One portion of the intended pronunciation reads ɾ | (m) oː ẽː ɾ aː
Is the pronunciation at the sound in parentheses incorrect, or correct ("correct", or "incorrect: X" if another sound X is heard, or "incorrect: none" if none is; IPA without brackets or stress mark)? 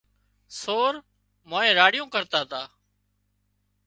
correct